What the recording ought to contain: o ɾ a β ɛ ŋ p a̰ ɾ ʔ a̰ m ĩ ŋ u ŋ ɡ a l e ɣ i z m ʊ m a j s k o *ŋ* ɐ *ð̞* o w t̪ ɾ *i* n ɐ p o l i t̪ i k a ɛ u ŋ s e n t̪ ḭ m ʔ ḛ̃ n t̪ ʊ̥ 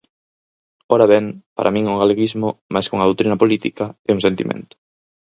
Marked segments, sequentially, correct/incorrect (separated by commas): correct, correct, correct